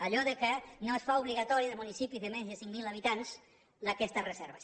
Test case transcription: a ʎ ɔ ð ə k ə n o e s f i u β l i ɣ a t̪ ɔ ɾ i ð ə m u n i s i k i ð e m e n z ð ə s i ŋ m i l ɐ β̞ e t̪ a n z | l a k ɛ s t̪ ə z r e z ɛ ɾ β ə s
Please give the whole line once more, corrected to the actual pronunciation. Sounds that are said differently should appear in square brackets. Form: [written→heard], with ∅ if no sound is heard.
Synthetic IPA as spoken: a ʎ ɔ ð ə k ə n o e s f [i→a] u β l i ɣ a t̪ ɔ ɾ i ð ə m u n i s i [k→p] i ð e m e n z ð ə s i ŋ m i l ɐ β̞ [e→i] t̪ a n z | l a k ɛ s t̪ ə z r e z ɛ ɾ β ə s

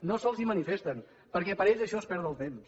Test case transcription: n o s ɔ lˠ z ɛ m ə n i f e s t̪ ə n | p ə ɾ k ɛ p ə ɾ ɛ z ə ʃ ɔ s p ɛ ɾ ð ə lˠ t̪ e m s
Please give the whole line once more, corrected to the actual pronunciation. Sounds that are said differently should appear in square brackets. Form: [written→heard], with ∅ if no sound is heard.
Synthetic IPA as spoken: n o s ɔ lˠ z [ɛ→i] m ə n i f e s t̪ ə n | p ə ɾ k ɛ p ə ɾ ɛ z ə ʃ ɔ s p ɛ ɾ ð ə lˠ t̪ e m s

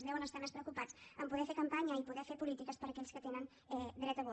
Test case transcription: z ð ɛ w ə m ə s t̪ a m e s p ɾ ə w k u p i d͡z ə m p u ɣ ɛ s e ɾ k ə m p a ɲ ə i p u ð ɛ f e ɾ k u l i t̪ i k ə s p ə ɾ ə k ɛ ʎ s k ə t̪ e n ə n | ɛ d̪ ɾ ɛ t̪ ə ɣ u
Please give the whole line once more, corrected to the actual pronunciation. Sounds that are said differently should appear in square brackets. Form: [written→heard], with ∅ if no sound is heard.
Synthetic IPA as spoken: z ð ɛ w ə [m→n] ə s t̪ a m e s p ɾ ə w k u p [i→a] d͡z ə m p u [ɣ→ð] ɛ [s→f] e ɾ k ə m p a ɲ ə i p u ð ɛ f e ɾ [k→p] u l i t̪ i k ə s p ə ɾ ə k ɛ ʎ s k ə t̪ e n ə n | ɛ d̪ ɾ ɛ t̪ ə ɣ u

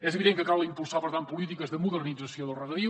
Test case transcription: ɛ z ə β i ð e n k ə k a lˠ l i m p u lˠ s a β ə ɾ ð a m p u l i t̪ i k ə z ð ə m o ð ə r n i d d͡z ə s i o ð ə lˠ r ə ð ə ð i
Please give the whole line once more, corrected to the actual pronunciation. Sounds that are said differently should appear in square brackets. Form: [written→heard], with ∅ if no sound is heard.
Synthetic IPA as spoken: ɛ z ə β i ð e [n→ŋ] k ə k a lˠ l i m p u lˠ s a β ə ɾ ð a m p u l i t̪ i k ə z ð ə m [o→u] ð ə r n i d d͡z ə s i o ð ə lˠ r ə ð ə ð i

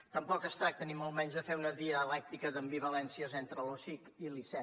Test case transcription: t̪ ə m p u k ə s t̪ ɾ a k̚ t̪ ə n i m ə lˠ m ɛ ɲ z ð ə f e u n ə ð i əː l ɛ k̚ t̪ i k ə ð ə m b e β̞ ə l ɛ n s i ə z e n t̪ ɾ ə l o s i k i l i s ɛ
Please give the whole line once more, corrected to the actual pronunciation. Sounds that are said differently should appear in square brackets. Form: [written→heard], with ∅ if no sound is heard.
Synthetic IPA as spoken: t̪ ə m p [u→ɔ] k ə s t̪ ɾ a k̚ t̪ ə n i m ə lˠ m ɛ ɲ z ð ə f e u n ə ð i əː l ɛ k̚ t̪ i k ə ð ə m b [e→i] β̞ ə l ɛ n s i ə z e n t̪ ɾ ə l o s i k i l i s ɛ

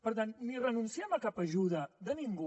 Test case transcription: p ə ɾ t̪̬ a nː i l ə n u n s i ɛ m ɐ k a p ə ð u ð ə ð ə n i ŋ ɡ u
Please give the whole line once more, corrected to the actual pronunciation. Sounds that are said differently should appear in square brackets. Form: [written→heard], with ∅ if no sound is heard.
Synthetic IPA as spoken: p ə ɾ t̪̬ a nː i [l→r] ə n u n s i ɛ m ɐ k a p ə [ð→ʒ] u ð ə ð ə n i ŋ ɡ u

